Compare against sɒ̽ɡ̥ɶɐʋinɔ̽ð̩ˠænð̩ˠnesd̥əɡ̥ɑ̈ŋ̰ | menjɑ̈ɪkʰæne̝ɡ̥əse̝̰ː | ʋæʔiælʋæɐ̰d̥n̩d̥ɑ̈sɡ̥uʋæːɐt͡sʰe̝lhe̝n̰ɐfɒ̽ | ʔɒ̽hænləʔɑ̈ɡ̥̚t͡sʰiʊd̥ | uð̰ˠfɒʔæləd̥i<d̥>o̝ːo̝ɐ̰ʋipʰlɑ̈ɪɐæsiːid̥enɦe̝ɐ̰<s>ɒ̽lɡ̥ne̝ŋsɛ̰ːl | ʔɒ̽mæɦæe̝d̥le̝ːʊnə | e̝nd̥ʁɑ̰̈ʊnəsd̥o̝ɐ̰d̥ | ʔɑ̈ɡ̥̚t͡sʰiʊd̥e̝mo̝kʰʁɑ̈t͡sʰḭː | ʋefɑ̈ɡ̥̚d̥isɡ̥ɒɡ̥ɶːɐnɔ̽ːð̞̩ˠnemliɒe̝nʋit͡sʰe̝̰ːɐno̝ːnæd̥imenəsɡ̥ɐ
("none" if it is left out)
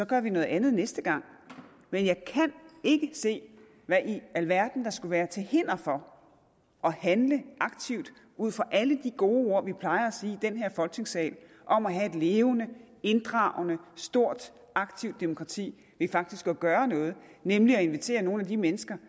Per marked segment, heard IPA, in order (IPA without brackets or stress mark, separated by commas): ɡ̥, f